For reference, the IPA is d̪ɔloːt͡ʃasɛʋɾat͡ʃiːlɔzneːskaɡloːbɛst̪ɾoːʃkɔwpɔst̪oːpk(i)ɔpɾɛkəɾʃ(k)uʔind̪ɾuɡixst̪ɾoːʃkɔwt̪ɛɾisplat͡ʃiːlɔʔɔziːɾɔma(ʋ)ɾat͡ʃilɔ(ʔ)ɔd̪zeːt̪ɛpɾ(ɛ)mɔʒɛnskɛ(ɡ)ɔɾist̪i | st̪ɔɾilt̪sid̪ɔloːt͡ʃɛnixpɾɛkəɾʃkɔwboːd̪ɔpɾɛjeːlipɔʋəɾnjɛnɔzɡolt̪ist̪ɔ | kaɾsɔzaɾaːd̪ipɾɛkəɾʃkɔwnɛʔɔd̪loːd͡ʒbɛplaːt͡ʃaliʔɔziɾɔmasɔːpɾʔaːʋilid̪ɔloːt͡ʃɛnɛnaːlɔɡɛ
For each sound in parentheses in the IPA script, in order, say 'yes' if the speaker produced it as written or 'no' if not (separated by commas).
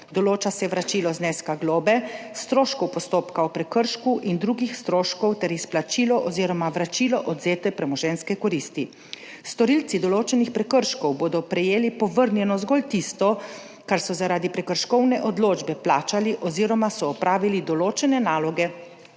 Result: no, yes, yes, yes, yes, no